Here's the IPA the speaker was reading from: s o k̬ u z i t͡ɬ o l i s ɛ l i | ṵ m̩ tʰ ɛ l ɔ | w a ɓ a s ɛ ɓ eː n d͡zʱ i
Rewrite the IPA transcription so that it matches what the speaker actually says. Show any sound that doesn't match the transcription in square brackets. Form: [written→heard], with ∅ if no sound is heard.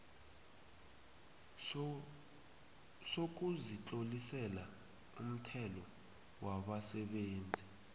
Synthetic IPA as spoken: s o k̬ u z i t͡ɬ o l i s ɛ l [i→a] | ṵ m̩ tʰ ɛ l ɔ | w a ɓ a s ɛ ɓ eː n d͡zʱ i